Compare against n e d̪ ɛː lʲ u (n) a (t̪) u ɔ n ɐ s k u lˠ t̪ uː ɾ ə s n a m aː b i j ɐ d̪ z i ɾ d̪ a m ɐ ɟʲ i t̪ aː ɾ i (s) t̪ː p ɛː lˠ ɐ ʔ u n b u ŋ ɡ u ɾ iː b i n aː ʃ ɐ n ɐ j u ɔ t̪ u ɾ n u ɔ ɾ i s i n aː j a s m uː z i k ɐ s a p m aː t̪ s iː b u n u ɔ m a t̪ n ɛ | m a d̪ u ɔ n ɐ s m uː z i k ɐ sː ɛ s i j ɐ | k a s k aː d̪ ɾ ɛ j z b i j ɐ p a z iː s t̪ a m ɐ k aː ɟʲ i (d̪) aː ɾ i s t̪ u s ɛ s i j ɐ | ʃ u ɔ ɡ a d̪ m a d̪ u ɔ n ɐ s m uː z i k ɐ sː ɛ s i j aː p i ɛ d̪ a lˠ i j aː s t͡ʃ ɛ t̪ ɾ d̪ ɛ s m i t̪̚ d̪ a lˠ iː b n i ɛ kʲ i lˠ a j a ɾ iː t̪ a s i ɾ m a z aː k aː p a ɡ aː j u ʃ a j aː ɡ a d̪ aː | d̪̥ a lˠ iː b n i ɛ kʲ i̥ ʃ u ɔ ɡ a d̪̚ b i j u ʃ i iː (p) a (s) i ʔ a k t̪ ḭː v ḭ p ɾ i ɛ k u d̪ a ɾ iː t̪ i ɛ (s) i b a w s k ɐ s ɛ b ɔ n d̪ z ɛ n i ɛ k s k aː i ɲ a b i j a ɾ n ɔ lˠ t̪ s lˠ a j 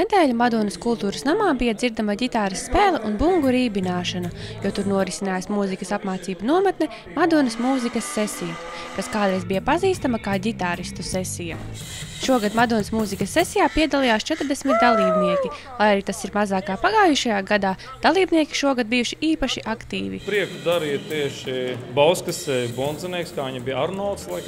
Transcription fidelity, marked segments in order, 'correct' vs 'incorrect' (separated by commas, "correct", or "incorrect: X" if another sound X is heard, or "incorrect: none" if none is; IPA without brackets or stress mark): incorrect: m, incorrect: d̪, correct, incorrect: t̪, correct, incorrect: ʃ, incorrect: ʃ